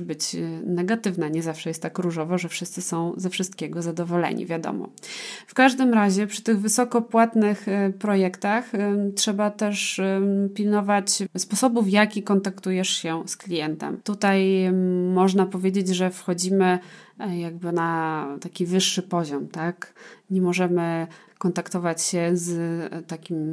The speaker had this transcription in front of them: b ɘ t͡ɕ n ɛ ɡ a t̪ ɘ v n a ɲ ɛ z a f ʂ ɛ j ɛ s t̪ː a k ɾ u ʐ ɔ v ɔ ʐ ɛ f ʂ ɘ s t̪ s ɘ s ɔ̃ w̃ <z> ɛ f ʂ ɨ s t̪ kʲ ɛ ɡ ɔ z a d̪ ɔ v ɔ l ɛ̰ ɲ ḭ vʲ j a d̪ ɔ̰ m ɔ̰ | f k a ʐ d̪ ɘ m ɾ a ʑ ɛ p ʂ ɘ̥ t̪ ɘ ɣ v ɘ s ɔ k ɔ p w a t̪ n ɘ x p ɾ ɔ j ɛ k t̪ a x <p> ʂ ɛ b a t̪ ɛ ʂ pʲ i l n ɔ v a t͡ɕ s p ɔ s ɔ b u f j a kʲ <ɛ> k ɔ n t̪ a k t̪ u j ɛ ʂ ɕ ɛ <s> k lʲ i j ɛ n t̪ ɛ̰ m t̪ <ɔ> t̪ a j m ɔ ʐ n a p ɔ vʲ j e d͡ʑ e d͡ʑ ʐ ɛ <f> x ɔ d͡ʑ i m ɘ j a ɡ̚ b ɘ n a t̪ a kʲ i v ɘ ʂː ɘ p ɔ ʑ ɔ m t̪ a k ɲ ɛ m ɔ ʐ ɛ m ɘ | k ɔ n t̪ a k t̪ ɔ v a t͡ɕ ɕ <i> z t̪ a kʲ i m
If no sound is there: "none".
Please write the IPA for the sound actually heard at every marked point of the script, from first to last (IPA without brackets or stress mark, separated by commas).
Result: z, t, i, s, u, f, ɛ